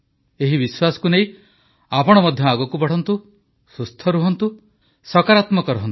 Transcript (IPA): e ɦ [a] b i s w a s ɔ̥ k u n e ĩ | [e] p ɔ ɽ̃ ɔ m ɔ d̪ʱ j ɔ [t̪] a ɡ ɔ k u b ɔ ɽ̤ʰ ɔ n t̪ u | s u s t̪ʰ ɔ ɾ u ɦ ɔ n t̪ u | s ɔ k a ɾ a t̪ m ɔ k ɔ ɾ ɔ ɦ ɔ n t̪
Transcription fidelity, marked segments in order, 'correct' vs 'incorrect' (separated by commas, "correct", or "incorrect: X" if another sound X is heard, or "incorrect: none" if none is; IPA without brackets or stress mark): incorrect: i, incorrect: a, incorrect: none